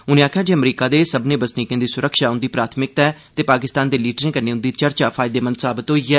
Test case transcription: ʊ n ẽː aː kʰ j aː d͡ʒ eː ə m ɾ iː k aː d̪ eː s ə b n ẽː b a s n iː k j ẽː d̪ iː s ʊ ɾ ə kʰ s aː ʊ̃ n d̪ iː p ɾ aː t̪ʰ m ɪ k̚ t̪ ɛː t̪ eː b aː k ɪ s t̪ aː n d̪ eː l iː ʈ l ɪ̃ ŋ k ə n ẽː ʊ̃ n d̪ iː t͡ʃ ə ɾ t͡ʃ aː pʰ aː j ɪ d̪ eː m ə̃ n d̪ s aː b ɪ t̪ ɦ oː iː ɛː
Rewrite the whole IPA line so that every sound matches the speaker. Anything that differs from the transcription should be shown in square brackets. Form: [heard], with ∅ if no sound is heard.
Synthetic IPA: ʊ n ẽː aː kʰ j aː d͡ʒ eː ə m ɾ iː k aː d̪ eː s ə b n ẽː b [ə] s n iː k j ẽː d̪ iː s ʊ ɾ ə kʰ [ʃ] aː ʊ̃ n d̪ iː p ɾ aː t̪ʰ m ɪ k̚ t̪ ɛː t̪ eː [p] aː k ɪ s t̪ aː n d̪ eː l iː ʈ [ɾ] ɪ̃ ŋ k ə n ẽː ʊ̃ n d̪ iː t͡ʃ ə ɾ t͡ʃ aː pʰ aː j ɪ d̪ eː m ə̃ n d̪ s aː b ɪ t̪ ɦ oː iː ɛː

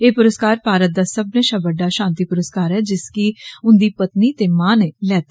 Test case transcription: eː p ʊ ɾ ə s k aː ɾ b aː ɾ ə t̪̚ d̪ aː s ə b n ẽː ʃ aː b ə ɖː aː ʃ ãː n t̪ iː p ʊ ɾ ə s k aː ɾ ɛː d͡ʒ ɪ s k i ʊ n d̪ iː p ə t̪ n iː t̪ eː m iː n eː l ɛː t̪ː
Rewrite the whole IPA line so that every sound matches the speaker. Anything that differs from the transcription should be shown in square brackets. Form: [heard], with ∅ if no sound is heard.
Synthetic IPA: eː p ʊ ɾ ə s k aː ɾ [p] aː ɾ ə t̪̚ d̪ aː s ə b n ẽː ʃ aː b ə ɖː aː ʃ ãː n t̪ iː p ʊ ɾ ə s k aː ɾ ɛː d͡ʒ ɪ s k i ʊ n d̪ iː p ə t̪ n iː t̪ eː m [aː] n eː l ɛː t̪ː

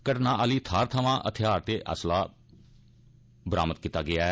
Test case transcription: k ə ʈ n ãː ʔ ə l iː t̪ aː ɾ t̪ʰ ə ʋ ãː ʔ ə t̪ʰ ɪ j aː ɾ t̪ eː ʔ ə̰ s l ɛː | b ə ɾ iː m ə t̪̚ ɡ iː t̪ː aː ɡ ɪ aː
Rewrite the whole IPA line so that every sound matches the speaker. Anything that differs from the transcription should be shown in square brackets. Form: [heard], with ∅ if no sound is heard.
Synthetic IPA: k ə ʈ n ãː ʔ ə l iː [t̪ʰ] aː ɾ t̪ʰ ə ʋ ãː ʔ ə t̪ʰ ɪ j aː ɾ t̪ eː ʔ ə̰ s l [aː] | b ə ɾ [aː] m ə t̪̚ [k] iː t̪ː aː ɡ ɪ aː

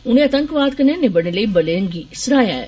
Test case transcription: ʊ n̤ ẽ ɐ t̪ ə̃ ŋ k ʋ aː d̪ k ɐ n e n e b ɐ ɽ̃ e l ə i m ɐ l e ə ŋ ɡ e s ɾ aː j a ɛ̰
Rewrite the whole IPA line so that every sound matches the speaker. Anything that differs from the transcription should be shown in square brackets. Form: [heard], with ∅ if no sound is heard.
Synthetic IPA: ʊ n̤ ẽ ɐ t̪ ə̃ ŋ k ʋ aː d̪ k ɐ n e n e b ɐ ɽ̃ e l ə i [b] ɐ l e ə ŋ ɡ [i] s ɾ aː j a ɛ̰

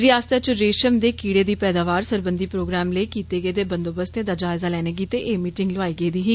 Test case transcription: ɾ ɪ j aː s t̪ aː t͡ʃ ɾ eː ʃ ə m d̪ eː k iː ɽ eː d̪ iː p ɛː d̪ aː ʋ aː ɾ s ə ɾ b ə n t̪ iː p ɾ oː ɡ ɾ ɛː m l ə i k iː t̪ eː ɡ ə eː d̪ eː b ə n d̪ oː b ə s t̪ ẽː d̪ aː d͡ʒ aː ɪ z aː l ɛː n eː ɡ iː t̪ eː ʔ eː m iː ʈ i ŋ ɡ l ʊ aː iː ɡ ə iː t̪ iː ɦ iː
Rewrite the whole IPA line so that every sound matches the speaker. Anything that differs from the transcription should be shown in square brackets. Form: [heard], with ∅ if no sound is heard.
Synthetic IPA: ɾ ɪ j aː s t̪ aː t͡ʃ ɾ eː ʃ ə m d̪ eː k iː ɽ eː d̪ iː p ɛː d̪ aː ʋ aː ɾ s ə ɾ b ə n [d̪] iː p ɾ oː ɡ ɾ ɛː m l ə i k iː t̪ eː ɡ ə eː d̪ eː b ə n d̪ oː b ə s t̪ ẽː d̪ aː d͡ʒ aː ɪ z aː l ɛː n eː ɡ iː t̪ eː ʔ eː m iː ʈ [ɪ] ŋ ɡ l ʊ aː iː ɡ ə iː [d̪] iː ɦ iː

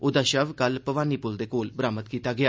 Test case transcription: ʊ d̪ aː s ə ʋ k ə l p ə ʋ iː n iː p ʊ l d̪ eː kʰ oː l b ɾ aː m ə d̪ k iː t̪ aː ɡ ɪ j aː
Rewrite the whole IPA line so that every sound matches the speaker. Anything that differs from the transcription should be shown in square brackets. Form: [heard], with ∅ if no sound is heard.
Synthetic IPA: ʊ d̪ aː [ʃ] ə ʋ k ə l p ə ʋ [aː] n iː p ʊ l d̪ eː [k] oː l b ɾ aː m ə [t̪] k iː t̪ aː ɡ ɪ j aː

